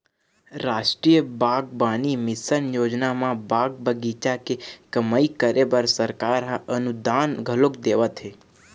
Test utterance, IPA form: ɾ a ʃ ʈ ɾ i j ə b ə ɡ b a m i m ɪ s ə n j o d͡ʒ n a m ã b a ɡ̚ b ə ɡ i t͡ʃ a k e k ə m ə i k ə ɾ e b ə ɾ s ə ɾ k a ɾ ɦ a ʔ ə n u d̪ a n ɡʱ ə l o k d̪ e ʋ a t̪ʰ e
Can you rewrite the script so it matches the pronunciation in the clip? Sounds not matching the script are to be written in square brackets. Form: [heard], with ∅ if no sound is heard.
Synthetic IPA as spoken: ɾ a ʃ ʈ ɾ i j ə b [a] ɡ b a [n] i m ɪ s ə n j o d͡ʒ n a m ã b a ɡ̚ b ə ɡ i t͡ʃ a k e k ə m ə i k ə ɾ e b ə ɾ s ə ɾ k a ɾ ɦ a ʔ ə n u d̪ a n ɡʱ ə l o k d̪ e ʋ a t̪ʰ e